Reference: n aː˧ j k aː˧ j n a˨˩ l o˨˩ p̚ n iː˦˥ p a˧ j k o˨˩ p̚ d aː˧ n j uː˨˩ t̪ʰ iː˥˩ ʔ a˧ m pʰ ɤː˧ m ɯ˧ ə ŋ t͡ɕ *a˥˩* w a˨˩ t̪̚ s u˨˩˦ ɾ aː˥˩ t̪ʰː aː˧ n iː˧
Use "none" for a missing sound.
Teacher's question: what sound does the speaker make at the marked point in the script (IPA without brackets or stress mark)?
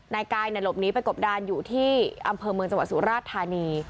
a˧